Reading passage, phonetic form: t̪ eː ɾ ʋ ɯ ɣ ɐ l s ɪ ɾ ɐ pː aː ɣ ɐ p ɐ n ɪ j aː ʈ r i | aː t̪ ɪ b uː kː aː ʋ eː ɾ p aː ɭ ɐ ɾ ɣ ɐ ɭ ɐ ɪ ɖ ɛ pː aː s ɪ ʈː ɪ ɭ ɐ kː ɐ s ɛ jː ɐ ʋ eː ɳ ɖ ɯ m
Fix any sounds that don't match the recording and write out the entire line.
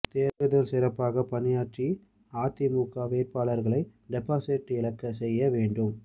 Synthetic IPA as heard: t̪ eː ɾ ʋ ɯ ð ɐ l s ɪ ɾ ɐ pː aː ɣ ɐ p ɐ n ɪ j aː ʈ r i | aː t̪ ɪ m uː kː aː ʋ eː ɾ p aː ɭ ɐ ɾ ɣ ɐ ɭ ɐ ɪ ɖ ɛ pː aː s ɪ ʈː ɪ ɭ ɐ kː ɐ s ɛ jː ɐ ʋ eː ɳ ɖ ɯ m